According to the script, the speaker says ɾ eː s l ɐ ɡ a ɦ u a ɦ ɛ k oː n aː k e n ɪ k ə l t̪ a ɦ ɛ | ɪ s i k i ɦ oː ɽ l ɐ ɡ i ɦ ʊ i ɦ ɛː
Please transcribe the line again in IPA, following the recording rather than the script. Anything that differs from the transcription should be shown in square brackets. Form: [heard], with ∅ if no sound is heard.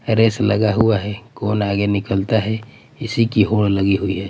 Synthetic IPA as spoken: ɾ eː s l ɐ ɡ a ɦ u a ɦ ɛ k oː n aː [ɡ] e n ɪ k ə l t̪ a ɦ ɛ | ɪ s i k i ɦ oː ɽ l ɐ ɡ i ɦ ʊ i ɦ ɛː